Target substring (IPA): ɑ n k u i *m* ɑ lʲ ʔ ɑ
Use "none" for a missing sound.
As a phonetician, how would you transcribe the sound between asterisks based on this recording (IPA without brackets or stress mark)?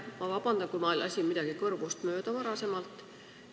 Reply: m